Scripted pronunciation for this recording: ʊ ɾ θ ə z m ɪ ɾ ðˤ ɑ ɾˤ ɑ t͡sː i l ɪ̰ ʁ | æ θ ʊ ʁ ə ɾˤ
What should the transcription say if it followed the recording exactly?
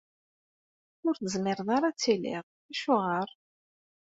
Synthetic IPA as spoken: ʊ ɾ θ ə z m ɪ ɾ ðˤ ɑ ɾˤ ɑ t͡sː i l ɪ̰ ʁ | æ ʃ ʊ ʁ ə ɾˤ